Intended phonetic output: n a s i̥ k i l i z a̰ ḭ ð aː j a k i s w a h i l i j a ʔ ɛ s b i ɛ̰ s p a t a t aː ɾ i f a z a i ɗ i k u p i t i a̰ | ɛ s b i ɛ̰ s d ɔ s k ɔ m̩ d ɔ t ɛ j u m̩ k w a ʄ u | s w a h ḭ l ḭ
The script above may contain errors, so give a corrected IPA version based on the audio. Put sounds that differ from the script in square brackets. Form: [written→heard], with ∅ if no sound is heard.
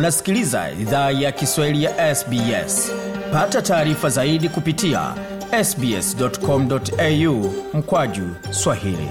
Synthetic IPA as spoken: n a s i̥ k i l i z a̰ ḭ ð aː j a k i s w a h i l i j a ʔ ɛ s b i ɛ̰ s p a t a t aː ɾ i f a z a i ɗ i k u p i t i a̰ | ɛ s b i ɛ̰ s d ɔ [s→t] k ɔ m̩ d ɔ t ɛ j u m̩ k w a ʄ u | s w a h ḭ l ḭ